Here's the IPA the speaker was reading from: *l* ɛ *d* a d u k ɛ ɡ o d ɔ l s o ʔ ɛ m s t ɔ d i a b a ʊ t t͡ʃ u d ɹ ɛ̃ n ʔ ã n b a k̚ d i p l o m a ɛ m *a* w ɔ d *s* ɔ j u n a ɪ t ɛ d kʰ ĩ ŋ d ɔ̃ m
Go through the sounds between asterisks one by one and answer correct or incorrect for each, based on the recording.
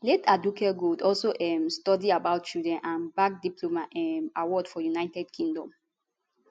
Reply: correct, incorrect, correct, incorrect

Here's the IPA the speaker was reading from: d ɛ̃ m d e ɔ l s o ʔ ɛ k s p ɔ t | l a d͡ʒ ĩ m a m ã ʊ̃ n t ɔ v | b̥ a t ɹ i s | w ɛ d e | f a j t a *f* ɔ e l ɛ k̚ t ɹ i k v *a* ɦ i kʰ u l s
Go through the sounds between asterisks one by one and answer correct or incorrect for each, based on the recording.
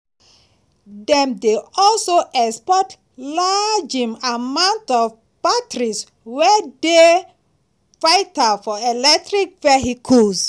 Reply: correct, incorrect

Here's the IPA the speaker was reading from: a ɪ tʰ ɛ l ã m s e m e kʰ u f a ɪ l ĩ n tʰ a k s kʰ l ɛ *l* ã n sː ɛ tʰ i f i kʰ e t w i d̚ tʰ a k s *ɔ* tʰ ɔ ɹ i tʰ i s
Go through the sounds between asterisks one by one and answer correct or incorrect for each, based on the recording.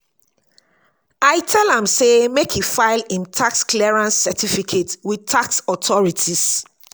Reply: incorrect, correct

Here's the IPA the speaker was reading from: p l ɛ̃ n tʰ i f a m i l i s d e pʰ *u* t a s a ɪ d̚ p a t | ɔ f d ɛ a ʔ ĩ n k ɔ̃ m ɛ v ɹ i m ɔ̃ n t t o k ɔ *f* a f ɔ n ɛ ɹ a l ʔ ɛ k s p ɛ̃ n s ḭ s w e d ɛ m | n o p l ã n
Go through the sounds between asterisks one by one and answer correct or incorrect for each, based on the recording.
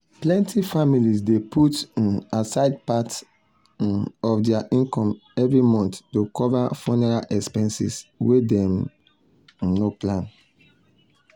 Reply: correct, incorrect

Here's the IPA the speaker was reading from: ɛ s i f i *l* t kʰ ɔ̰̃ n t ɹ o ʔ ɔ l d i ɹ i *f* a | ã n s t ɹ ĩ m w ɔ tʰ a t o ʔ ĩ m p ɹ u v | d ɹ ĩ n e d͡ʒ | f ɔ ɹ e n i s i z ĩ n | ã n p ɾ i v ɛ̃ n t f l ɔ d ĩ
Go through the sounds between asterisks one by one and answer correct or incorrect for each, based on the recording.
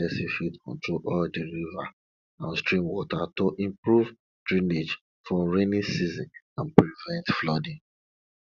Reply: incorrect, incorrect

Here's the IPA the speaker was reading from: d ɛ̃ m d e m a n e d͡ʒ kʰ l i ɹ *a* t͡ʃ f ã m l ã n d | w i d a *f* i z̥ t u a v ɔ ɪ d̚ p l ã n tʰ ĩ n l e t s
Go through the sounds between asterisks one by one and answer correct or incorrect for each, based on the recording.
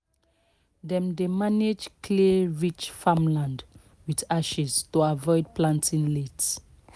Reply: incorrect, incorrect

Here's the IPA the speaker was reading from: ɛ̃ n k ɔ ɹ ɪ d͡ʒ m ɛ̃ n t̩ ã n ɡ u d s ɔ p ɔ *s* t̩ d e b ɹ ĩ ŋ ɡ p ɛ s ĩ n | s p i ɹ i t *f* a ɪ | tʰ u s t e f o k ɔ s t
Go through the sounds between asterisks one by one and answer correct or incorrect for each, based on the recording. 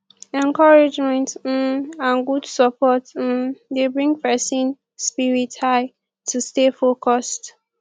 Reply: incorrect, incorrect

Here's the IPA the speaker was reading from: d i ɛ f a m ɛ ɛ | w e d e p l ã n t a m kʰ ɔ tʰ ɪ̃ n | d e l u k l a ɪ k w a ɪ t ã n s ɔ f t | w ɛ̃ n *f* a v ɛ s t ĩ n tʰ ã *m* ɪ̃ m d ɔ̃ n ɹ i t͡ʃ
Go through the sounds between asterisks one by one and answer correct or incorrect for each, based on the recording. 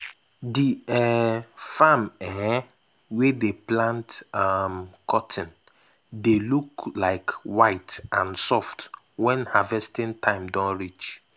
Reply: incorrect, incorrect

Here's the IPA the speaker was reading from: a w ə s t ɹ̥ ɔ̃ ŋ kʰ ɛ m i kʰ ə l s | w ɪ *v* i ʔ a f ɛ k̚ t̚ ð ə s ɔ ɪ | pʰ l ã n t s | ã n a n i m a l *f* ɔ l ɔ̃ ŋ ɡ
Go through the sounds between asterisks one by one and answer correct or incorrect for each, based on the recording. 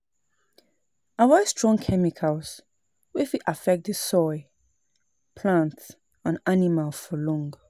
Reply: incorrect, correct

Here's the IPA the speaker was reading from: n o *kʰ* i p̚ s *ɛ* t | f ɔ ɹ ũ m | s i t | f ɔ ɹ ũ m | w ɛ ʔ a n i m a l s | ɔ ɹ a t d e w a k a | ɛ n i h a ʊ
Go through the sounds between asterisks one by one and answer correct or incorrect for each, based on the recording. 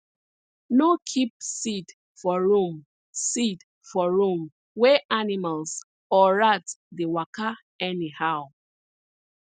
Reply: correct, incorrect

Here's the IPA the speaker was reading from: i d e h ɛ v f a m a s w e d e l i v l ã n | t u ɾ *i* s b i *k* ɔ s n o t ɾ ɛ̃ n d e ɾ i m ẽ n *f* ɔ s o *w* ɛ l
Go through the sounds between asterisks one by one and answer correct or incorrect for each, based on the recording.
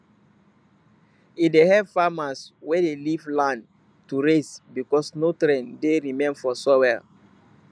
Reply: incorrect, correct, correct, correct

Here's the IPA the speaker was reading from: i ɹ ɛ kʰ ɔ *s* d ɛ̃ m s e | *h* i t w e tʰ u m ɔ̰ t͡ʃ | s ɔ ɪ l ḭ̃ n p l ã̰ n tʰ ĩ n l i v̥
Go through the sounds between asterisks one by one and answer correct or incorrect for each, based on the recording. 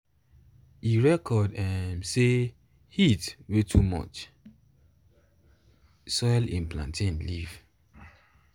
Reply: incorrect, correct

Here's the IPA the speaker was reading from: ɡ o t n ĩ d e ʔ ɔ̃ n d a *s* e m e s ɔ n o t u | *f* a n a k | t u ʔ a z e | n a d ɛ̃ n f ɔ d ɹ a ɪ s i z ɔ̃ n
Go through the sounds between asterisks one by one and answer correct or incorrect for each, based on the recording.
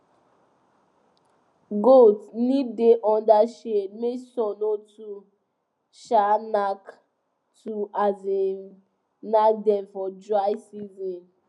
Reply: incorrect, incorrect

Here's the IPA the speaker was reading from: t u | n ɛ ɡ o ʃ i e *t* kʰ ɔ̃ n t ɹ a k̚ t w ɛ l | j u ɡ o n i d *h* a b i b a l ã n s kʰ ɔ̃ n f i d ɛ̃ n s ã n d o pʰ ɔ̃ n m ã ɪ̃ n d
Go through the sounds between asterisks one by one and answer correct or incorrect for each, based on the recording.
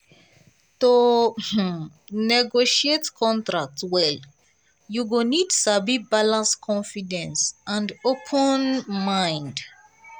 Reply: correct, incorrect

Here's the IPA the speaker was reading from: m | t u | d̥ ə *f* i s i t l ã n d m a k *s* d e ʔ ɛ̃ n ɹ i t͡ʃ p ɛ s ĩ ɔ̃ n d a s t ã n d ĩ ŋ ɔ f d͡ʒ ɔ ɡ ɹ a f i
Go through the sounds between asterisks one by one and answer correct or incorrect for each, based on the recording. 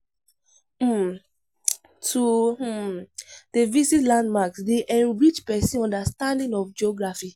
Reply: incorrect, correct

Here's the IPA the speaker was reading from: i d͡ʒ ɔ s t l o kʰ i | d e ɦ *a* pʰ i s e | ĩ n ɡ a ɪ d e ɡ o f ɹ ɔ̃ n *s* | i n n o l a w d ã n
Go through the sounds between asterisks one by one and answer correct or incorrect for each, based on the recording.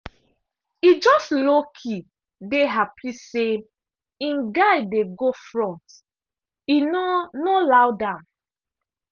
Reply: correct, incorrect

